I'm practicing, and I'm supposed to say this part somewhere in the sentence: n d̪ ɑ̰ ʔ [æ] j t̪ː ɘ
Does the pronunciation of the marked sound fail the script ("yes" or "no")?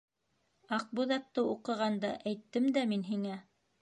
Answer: no